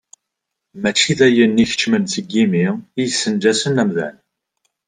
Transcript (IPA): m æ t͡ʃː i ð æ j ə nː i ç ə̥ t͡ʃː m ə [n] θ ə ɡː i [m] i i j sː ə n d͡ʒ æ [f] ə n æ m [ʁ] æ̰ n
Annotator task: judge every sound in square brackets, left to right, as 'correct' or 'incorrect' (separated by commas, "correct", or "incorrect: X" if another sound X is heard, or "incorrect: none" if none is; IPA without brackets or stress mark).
correct, correct, incorrect: s, incorrect: ð